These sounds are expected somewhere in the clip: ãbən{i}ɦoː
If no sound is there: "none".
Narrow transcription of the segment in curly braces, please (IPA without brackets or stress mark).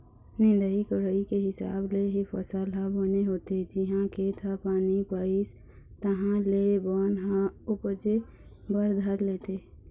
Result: e